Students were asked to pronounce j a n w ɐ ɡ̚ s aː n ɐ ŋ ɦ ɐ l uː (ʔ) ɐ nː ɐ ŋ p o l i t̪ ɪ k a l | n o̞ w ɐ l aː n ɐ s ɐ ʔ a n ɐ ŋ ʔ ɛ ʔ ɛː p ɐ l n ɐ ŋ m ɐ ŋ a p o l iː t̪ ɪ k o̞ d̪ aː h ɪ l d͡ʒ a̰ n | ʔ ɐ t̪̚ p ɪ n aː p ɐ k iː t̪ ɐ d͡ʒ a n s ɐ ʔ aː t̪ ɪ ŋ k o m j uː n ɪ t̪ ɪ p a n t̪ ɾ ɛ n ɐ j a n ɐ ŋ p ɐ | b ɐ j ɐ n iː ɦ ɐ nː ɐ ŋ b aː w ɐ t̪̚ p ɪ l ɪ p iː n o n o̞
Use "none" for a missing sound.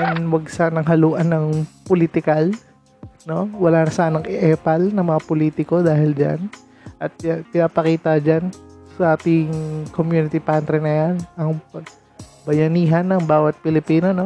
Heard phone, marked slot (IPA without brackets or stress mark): ʔ